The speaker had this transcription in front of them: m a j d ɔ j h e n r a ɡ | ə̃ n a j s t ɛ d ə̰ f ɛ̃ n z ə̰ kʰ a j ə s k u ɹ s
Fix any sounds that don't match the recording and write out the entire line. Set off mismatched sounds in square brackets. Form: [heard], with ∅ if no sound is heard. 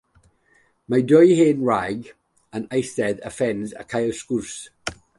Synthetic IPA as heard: m a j d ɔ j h e n [ɹ] a ɡ | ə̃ n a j s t ɛ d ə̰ f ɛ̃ n z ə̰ kʰ a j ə s k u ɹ s